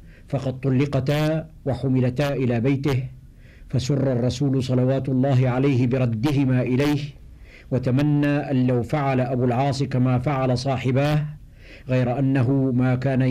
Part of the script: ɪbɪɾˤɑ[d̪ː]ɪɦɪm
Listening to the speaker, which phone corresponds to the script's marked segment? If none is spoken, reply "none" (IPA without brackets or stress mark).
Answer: d̪ː